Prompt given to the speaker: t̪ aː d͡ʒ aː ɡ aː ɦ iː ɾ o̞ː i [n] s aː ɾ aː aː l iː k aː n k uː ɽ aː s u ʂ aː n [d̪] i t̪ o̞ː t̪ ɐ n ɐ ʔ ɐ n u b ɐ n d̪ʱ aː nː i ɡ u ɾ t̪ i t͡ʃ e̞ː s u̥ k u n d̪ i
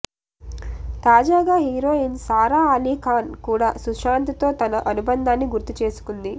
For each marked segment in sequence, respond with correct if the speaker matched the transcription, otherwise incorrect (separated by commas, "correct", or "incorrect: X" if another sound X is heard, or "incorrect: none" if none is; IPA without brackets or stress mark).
correct, incorrect: t̪